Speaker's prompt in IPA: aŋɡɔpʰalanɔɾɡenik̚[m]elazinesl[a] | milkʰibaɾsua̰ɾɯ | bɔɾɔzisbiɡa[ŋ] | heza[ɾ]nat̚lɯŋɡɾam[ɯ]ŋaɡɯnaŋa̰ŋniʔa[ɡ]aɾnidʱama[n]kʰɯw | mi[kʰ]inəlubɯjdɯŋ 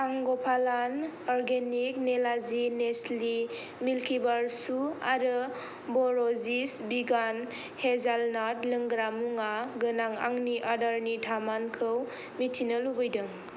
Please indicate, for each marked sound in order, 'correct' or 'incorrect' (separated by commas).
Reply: incorrect, incorrect, incorrect, incorrect, incorrect, incorrect, correct, incorrect